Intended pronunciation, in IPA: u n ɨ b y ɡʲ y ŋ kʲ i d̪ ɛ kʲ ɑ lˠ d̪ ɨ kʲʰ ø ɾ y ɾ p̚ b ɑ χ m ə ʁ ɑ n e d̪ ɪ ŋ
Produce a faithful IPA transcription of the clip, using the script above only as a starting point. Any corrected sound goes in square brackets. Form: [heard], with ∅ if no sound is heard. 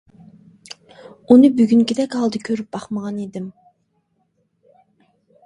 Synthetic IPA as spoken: u n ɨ b y ɡʲ y ŋ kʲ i d̪ ɛ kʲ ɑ lˠ d̪ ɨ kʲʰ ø ɾ y [∅] p̚ b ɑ χ m ə ʁ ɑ n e d̪ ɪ [m]